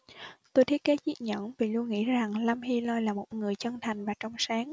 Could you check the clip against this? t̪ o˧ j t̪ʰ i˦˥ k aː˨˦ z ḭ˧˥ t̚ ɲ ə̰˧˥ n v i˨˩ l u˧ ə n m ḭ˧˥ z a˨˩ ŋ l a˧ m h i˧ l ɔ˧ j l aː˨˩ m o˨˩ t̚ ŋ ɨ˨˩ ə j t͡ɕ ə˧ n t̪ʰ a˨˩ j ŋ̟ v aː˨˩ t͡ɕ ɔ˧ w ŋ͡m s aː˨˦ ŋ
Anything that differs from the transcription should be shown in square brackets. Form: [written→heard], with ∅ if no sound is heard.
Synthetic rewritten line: t̪ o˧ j t̪ʰ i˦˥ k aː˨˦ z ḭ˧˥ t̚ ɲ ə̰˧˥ n v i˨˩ l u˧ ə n [m→ŋ] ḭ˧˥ z a˨˩ ŋ l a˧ m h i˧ l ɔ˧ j l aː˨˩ m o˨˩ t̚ ŋ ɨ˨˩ ə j t͡ɕ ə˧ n t̪ʰ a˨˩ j ŋ̟ v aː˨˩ t͡ɕ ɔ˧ w ŋ͡m s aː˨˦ ŋ